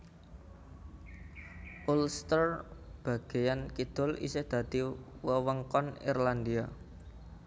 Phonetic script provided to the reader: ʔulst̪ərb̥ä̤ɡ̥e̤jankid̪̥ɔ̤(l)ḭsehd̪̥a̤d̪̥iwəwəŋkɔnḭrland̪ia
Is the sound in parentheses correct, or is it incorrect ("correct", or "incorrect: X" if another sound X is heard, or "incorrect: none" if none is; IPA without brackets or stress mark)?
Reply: correct